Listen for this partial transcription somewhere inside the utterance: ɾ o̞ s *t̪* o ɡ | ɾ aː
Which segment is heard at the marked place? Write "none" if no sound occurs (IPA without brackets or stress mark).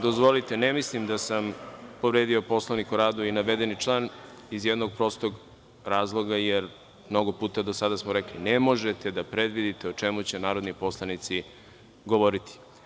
t̪